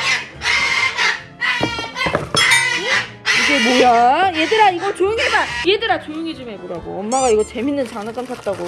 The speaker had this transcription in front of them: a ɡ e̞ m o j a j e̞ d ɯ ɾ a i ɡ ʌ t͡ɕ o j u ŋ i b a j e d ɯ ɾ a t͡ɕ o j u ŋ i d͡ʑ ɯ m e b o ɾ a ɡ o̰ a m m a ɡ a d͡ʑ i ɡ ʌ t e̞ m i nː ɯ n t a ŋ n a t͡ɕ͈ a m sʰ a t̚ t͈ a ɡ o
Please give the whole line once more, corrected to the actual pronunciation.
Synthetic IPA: i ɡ e̞ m o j a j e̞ d ɯ ɾ a i ɡ ʌ t͡ɕ o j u ŋ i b a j e d ɯ ɾ a t͡ɕ o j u ŋ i d͡ʑ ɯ m e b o ɾ a ɡ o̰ ʌ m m a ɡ a i ɡ ʌ t͡ɕ e̞ m i nː ɯ n t͡ɕ a ŋ n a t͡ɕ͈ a m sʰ a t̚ t͈ a ɡ o